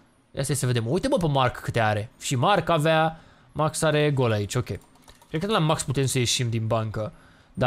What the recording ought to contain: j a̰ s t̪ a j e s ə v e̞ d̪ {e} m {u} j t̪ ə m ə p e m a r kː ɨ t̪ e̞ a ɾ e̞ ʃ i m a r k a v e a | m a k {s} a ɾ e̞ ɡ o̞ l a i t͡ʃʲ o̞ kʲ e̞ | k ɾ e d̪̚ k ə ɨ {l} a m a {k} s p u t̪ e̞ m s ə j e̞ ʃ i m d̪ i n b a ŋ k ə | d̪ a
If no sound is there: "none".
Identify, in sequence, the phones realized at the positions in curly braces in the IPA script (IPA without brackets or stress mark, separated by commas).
e, u, s, l, k